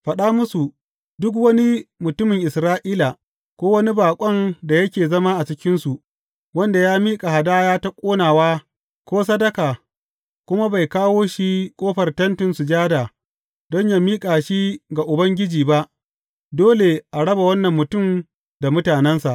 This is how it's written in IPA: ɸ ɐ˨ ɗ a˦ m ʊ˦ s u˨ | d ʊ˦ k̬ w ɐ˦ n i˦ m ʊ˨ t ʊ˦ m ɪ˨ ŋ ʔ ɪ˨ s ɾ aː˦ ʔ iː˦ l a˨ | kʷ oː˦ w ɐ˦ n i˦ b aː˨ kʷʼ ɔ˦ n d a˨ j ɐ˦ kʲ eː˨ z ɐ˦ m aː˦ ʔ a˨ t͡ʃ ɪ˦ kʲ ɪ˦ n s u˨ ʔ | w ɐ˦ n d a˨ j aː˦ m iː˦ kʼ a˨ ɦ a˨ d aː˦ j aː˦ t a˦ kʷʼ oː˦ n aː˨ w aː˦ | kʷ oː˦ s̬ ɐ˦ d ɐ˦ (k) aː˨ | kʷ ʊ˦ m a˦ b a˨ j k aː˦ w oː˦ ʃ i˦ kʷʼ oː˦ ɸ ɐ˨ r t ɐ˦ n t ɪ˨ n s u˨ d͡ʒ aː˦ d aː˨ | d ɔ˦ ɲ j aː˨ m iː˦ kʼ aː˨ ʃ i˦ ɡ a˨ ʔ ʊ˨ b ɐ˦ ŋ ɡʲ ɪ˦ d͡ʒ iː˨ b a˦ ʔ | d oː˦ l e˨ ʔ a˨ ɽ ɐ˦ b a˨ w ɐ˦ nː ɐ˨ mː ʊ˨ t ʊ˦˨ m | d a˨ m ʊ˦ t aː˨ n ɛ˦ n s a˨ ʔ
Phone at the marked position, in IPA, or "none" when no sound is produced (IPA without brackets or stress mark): k